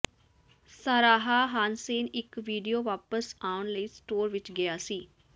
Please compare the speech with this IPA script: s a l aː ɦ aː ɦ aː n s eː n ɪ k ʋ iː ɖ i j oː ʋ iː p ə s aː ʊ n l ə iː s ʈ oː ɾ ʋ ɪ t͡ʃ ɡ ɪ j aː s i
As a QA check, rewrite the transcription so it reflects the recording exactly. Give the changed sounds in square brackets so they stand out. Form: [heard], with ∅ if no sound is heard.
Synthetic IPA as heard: s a [ɾ] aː ɦ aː ɦ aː n s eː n ɪ k ʋ iː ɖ i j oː ʋ [aː] p ə s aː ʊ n l ə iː s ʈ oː ɾ ʋ ɪ t͡ʃ ɡ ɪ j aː s [iː]